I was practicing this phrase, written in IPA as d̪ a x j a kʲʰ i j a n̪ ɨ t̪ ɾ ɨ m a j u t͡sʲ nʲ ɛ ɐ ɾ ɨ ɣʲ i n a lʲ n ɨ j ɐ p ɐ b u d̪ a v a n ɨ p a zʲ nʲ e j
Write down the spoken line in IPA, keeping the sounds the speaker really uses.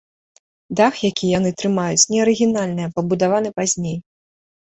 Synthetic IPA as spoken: d̪ a x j a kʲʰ i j a n̪ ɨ t̪ ɾ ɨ m a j u t͡sʲ nʲ ɛ ɐ ɾ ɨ ɣʲ i n a lʲ n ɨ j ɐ p ɐ b u d̪ a v a n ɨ p a zʲ nʲ e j